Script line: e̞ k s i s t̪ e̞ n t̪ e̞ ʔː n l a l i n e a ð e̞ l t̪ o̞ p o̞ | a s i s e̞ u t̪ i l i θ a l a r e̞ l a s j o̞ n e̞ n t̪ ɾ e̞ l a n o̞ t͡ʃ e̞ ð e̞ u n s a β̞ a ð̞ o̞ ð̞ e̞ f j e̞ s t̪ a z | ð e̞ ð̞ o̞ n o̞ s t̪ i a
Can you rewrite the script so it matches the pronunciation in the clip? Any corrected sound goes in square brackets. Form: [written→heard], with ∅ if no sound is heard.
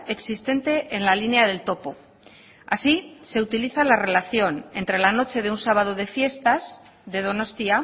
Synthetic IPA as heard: e̞ k s i s t̪ e̞ n t̪ e̞ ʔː n l a l i n e a ð e̞ l t̪ o̞ p o̞ | a s i s e̞ u t̪ i l i θ a l a r e̞ l a [s→θ] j o̞ n e̞ n t̪ ɾ e̞ l a n o̞ t͡ʃ e̞ ð e̞ u n s a β̞ a ð̞ o̞ ð̞ e̞ f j e̞ s t̪ a z | ð e̞ ð̞ o̞ n o̞ s t̪ i a